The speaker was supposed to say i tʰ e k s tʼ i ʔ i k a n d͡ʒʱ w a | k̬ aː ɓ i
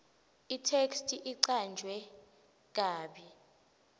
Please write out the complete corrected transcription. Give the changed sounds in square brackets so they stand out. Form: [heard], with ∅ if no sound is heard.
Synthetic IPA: i tʰ e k s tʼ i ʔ i [ǀ] a n d͡ʒʱ w [ɛ] | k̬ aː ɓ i